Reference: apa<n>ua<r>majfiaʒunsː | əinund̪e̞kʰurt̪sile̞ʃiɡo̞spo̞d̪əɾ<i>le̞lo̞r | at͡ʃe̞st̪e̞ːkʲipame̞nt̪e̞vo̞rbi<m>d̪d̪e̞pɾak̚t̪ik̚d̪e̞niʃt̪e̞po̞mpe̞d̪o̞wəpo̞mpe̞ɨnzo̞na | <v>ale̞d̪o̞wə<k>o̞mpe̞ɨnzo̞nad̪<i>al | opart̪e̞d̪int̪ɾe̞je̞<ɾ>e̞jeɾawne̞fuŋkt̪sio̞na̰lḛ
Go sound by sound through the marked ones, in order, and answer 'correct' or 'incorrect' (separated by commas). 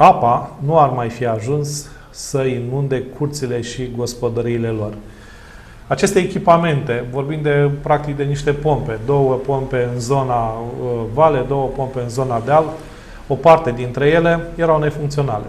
correct, correct, incorrect, incorrect, correct, incorrect, incorrect, incorrect